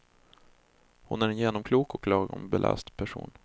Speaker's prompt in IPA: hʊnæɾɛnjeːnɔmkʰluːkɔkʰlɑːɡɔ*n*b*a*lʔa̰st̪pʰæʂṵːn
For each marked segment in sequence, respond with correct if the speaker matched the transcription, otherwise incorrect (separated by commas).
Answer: incorrect, incorrect